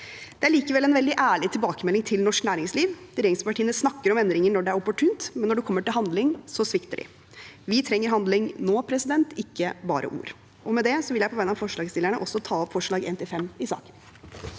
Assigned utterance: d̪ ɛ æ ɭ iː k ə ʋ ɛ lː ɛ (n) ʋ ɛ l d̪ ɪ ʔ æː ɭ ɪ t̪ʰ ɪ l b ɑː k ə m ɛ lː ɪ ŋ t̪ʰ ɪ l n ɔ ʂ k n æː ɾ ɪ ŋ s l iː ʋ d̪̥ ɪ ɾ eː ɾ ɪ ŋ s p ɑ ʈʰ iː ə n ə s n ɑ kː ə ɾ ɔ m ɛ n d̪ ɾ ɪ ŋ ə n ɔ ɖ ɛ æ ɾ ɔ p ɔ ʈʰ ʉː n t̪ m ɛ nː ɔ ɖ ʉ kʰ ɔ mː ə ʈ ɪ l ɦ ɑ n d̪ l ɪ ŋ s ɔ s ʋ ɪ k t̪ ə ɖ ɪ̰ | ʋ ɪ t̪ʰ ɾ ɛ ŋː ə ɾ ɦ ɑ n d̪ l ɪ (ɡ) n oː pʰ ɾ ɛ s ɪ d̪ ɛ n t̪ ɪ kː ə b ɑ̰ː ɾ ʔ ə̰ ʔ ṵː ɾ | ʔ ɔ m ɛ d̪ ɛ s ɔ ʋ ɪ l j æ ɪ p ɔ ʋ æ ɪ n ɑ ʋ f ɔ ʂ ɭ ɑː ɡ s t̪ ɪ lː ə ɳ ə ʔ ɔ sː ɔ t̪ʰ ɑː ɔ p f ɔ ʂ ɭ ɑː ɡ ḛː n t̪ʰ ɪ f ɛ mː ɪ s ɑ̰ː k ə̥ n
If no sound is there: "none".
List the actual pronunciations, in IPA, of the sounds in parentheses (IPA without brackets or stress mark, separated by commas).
n, ŋ